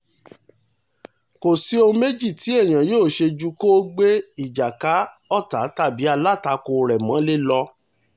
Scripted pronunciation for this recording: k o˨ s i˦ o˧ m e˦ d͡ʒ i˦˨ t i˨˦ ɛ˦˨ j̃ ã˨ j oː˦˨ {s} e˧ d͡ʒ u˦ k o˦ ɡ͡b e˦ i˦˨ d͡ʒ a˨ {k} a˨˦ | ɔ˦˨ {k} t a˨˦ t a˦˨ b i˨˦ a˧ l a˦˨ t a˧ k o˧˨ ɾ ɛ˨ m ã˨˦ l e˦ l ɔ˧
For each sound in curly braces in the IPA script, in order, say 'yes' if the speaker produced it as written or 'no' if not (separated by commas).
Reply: no, yes, no